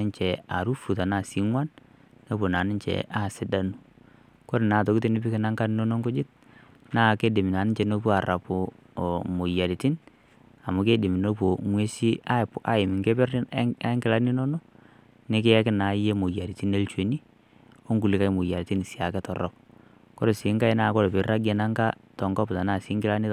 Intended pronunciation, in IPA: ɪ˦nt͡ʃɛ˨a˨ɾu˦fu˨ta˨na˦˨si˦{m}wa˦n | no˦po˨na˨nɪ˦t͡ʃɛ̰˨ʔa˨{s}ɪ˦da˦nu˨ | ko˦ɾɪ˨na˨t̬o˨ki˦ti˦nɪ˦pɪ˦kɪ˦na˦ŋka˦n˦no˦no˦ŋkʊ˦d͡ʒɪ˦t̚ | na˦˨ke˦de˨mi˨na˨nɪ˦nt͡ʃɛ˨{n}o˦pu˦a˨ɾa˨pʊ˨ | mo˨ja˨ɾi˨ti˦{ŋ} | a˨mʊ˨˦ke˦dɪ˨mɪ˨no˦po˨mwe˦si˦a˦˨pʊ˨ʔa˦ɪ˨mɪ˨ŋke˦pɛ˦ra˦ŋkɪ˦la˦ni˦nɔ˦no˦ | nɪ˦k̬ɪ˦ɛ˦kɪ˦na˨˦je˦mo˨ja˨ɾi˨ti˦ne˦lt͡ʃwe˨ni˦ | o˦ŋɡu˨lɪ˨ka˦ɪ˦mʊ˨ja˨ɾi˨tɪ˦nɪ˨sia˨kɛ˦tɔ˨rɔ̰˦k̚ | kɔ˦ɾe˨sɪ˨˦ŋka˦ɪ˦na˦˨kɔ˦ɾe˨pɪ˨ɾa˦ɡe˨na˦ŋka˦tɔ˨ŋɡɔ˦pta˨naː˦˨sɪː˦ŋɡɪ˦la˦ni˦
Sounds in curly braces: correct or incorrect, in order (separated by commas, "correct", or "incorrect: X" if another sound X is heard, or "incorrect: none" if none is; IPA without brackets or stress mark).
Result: incorrect: ŋ, correct, correct, incorrect: n